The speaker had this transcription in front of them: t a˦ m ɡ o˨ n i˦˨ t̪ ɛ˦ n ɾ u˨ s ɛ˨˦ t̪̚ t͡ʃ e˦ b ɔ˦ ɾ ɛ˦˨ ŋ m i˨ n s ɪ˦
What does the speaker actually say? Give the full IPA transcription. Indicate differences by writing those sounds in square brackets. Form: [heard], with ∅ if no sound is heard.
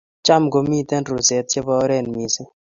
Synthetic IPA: [t͡ʃ] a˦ m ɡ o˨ [m] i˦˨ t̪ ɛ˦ n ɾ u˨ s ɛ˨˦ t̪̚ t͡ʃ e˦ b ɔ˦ ɾ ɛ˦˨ [n] m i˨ [∅] s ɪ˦